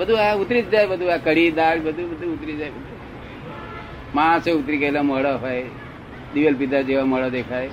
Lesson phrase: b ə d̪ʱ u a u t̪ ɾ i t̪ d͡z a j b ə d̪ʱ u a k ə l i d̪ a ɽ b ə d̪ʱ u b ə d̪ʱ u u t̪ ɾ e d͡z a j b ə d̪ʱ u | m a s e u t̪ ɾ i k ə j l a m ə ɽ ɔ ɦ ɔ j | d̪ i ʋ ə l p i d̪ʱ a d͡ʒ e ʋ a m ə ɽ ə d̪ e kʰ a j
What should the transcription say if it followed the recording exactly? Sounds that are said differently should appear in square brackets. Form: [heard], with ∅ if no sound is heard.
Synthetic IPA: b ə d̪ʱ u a u t̪ ɾ i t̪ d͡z a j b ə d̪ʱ u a k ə [ɽ] i d̪ a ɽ b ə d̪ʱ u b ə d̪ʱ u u t̪ ɾ [i] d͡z a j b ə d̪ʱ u | m a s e u t̪ ɾ i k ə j l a m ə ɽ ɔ ɦ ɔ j | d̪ i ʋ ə l p i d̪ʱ a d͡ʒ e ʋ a m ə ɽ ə d̪ e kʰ a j